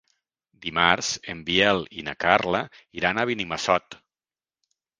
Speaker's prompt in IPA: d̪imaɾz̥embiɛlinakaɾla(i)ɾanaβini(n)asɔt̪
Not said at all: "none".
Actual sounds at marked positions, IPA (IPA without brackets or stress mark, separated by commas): i, m